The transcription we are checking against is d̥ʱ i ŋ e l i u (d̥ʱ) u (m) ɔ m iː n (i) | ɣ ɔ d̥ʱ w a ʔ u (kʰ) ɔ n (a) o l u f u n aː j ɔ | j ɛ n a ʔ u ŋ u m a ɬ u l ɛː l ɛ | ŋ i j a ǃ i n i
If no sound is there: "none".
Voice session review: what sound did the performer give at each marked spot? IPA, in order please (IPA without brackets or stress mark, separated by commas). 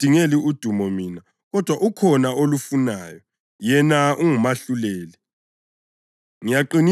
d̥ʱ, m, a, kʰ, a